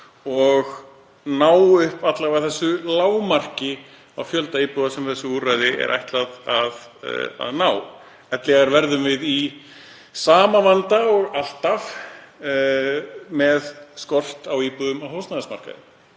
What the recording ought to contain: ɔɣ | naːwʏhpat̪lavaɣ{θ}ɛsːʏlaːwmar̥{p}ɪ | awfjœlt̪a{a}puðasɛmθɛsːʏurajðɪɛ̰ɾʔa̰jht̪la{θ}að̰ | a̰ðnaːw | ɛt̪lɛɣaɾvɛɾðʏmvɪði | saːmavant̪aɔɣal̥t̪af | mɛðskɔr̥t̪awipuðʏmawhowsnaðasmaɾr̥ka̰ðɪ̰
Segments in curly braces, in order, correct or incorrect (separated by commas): correct, incorrect, incorrect, incorrect